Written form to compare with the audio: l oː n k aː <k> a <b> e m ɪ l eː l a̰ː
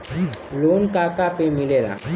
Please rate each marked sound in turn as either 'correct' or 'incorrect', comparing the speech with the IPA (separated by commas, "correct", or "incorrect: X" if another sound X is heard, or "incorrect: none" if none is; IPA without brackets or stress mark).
correct, incorrect: p